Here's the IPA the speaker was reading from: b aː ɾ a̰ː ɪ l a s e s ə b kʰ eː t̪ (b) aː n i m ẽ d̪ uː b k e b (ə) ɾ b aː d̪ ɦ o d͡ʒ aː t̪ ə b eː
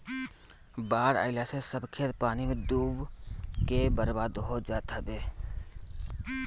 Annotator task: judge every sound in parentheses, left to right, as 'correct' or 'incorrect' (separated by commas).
incorrect, correct